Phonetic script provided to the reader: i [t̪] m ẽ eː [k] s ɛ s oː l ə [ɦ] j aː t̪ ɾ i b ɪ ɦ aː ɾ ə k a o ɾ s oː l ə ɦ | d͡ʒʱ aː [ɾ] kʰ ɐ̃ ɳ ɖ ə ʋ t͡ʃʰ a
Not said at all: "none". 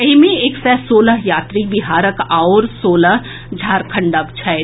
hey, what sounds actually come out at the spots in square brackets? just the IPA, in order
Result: none, k, ɦ, ɾ

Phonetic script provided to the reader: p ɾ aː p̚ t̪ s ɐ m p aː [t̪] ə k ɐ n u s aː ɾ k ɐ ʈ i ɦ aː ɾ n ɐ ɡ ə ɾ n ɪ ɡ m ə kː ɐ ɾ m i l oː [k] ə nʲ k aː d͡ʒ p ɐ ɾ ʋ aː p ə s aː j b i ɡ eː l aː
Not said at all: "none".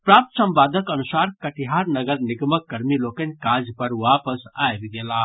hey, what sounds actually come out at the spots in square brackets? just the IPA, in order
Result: d̪, k

